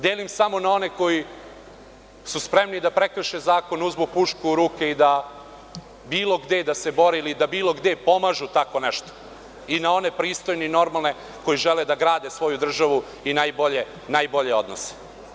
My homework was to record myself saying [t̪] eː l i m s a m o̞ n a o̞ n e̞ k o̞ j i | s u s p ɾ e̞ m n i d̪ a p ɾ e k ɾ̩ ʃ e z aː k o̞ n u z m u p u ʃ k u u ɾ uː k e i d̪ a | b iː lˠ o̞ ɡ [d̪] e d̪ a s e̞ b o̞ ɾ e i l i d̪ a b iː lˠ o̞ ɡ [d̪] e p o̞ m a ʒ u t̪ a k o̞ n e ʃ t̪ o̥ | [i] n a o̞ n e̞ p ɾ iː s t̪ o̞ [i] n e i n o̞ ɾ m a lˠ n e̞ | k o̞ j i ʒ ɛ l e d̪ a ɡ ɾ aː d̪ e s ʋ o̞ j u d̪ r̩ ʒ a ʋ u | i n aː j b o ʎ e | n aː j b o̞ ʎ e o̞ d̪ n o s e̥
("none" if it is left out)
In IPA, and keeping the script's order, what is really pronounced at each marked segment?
d̪, d̪, d̪, i, j

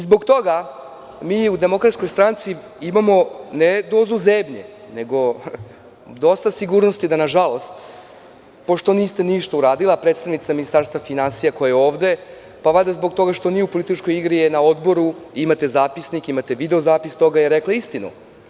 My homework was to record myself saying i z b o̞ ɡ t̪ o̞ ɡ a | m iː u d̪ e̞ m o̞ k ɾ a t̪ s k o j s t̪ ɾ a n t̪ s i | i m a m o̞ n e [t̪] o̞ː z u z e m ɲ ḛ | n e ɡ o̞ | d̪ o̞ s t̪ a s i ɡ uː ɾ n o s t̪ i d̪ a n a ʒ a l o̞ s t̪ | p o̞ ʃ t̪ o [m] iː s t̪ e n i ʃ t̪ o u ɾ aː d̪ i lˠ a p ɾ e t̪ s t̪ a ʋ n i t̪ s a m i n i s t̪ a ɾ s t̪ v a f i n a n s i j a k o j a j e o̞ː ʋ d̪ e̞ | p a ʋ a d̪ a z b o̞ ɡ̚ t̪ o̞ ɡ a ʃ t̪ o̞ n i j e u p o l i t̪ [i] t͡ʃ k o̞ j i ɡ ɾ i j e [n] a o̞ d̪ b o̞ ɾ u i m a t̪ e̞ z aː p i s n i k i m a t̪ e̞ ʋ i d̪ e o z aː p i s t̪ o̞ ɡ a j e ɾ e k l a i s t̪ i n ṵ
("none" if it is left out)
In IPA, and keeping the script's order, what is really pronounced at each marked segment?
d̪, n, i, n

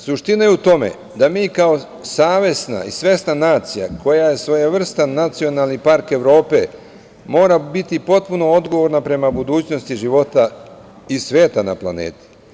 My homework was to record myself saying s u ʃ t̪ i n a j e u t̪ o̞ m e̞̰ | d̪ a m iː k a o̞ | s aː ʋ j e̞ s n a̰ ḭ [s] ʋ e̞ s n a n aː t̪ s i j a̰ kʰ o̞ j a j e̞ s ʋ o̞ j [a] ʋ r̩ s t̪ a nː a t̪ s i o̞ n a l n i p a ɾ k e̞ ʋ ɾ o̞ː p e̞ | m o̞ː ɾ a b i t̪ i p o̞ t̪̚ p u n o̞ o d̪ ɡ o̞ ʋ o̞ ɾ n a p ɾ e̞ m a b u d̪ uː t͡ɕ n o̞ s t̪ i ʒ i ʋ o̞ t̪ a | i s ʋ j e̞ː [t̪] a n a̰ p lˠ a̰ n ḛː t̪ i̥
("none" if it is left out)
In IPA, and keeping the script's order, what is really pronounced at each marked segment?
s, a, t̪

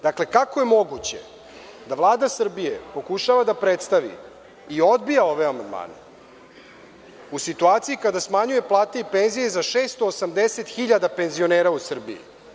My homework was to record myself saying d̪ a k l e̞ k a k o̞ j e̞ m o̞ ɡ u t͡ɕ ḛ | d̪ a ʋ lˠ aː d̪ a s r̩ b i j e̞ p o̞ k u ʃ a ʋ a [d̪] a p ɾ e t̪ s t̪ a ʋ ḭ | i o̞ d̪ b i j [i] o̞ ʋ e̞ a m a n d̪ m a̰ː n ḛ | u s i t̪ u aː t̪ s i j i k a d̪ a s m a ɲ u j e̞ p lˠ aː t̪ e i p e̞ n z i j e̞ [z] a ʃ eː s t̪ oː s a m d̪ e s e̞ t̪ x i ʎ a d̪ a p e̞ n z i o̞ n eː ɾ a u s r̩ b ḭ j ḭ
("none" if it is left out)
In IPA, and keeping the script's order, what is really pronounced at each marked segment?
d̪, a, z

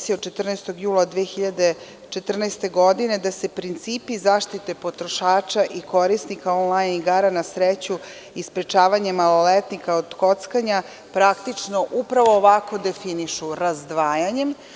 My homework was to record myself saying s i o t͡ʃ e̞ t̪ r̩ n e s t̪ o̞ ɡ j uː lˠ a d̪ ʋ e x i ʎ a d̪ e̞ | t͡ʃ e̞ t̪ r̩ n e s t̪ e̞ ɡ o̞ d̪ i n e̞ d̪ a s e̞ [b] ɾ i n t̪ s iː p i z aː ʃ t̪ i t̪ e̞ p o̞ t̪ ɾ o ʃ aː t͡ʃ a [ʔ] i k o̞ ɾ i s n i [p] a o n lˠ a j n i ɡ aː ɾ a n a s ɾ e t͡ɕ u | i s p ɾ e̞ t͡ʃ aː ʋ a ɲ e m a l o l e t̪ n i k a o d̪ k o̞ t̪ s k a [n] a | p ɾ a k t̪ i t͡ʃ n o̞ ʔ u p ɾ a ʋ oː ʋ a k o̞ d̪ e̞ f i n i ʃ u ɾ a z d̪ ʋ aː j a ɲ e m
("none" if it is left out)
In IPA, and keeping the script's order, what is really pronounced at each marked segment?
p, ʔ, k, ɲ

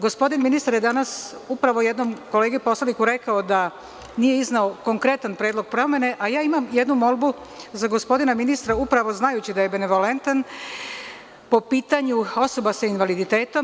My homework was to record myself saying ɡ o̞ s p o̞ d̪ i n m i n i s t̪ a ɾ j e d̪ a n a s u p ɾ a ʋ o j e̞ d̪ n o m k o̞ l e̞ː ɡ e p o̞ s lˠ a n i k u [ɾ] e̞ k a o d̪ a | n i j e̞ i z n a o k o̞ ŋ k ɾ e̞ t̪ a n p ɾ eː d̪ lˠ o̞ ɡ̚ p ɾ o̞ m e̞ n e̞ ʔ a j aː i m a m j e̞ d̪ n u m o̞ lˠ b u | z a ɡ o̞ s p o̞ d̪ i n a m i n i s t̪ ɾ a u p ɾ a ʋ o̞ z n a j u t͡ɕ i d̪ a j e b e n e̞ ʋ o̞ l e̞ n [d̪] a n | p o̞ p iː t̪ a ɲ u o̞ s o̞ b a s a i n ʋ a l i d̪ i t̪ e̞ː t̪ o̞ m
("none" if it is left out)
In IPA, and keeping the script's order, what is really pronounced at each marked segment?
ɾ, t̪

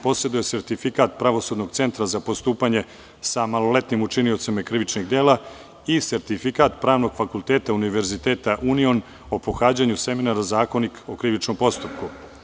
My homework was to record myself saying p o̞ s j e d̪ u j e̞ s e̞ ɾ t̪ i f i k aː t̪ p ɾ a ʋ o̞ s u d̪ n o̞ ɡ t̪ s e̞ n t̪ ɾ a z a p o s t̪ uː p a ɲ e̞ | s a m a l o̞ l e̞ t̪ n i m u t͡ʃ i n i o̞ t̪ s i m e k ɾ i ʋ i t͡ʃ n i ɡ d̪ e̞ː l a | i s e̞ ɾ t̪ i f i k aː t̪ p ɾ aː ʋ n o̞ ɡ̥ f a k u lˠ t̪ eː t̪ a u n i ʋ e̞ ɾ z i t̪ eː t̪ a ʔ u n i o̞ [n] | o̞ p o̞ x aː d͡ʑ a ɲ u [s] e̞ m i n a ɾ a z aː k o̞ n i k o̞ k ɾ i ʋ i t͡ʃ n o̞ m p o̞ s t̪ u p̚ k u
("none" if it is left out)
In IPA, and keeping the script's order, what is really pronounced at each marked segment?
n, s

